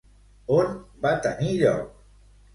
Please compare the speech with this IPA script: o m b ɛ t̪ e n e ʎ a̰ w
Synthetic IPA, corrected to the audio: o n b a t̪ a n i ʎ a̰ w